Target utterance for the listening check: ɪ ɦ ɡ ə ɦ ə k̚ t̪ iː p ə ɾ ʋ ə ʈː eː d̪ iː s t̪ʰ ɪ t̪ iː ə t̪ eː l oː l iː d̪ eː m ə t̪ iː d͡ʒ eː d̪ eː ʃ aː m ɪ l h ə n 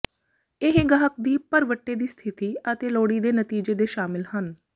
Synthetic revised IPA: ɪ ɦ ɡ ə ɦ ə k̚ d̪ iː p ə ɾ ʋ ə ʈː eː d̪ iː s t̪ʰ ɪ t̪ iː ə t̪ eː l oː ɽ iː d̪ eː n ə t̪ iː d͡ʒ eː d̪ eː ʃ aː m ɪ l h ə n